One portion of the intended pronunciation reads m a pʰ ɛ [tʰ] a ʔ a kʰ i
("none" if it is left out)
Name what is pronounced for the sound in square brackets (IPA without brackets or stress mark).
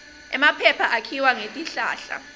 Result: pʰ